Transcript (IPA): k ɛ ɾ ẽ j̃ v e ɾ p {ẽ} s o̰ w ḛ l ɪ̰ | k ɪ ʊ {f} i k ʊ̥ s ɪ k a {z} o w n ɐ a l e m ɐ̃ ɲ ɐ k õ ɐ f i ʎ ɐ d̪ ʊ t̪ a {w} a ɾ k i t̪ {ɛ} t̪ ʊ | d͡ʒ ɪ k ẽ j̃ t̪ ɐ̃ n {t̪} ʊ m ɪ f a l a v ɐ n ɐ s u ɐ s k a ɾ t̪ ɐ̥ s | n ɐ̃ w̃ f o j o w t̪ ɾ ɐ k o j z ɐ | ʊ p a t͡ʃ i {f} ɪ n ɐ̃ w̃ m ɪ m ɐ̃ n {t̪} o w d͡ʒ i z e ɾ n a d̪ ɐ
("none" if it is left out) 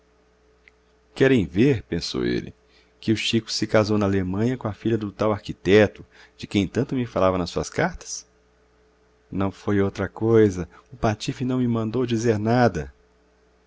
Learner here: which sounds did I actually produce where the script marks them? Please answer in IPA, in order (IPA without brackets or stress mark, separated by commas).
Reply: ẽ, ʃ, z, w, ɛ, t̪, f, d̪